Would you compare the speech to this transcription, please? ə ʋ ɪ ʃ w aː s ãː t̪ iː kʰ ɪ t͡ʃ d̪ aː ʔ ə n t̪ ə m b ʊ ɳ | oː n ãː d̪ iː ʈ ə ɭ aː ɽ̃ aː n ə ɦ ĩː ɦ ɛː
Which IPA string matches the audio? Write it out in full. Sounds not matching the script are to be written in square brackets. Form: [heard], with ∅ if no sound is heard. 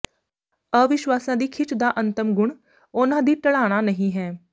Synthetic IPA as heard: ə ʋ ɪ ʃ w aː s ãː [d̪] iː kʰ ɪ t͡ʃ d̪ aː ʔ ə n t̪ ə m [ɡ] ʊ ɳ | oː n ãː d̪ iː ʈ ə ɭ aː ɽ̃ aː n ə ɦ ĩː ɦ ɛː